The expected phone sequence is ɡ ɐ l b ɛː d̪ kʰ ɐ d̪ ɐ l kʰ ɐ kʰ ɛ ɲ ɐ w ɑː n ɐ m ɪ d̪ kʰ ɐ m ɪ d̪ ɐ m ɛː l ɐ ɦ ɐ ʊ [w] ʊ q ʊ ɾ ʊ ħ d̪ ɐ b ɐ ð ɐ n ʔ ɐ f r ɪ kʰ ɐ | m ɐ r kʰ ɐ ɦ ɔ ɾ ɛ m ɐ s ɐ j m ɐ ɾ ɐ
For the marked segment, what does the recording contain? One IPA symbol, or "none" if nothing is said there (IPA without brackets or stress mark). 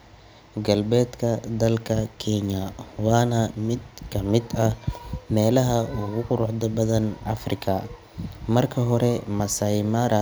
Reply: ɣ